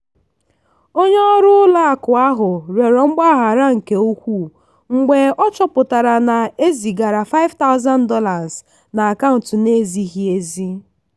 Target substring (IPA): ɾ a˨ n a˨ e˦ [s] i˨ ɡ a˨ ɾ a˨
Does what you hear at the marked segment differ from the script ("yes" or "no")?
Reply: yes